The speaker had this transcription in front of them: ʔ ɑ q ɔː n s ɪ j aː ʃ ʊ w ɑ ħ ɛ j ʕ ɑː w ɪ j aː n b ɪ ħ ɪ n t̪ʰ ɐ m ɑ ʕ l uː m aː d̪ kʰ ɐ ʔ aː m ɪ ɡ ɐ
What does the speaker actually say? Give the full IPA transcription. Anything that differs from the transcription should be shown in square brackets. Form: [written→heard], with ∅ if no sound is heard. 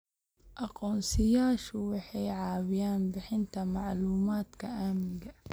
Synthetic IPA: ʔ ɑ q ɔː n s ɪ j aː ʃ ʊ w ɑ ħ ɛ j ʕ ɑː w ɪ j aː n b ɪ ħ ɪ n t̪ʰ ɐ m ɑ ʕ l uː m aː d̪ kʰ ɐ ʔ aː m ɪ ɡ ɐ

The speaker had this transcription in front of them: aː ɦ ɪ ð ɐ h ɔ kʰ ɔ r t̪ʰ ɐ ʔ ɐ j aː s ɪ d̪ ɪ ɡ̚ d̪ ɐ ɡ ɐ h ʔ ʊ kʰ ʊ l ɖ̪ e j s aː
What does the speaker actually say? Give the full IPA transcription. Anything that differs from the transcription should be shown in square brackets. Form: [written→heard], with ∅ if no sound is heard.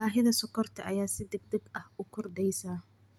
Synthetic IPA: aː ɦ ɪ ð ɐ [h→s] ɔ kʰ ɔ r t̪ʰ ɐ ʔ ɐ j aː s ɪ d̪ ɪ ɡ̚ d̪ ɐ ɡ ɐ h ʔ ʊ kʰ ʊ [l→r] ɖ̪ [e→ɛ] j s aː

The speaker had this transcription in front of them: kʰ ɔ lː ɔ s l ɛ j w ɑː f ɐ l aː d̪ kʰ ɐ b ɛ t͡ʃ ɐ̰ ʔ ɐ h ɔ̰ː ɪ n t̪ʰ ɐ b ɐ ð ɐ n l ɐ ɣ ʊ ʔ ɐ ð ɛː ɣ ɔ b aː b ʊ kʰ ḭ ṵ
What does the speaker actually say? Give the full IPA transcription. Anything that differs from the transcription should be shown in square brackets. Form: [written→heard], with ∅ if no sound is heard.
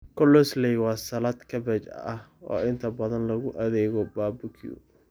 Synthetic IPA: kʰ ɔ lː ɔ s l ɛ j w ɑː [f→s] ɐ l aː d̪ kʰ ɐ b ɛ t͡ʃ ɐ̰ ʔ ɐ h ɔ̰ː ɪ n t̪ʰ ɐ b ɐ ð ɐ n l ɐ ɣ ʊ ʔ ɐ ð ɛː ɣ ɔ b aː b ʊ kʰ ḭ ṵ

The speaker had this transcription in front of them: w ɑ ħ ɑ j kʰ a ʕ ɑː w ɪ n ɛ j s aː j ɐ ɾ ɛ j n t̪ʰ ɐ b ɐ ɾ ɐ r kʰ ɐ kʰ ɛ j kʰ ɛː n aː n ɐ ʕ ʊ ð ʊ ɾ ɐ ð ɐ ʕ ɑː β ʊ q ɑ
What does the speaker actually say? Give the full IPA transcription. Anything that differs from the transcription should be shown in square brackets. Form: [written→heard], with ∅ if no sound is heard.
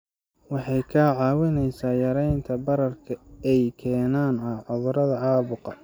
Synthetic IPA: w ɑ ħ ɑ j kʰ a ʕ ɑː w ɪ n ɛ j s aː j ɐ ɾ ɛ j n t̪ʰ ɐ b ɐ ɾ ɐ r kʰ ɐ [kʰ→∅] ɛ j kʰ ɛː n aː n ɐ ʕ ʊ ð ʊ ɾ ɐ ð ɐ ʕ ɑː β ʊ q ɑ

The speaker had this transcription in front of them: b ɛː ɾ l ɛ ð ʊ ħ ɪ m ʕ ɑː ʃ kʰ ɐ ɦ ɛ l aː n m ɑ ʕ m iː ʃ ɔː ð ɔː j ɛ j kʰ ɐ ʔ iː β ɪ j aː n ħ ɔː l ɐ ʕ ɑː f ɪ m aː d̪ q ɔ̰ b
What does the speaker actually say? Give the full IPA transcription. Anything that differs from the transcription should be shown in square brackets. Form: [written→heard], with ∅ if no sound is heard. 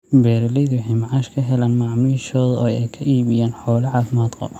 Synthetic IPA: b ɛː ɾ l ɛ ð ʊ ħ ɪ m ʕ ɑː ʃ kʰ ɐ ɦ ɛ l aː n m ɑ ʕ m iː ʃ ɔː ð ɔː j ɛ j kʰ ɐ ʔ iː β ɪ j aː n ħ ɔː l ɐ ʕ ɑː f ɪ m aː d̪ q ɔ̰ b

